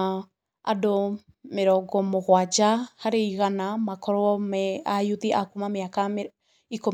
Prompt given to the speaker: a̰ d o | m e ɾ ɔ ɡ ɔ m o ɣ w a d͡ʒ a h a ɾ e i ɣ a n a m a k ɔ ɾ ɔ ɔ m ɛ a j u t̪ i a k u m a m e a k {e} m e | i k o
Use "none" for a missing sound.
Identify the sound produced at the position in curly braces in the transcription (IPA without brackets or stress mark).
a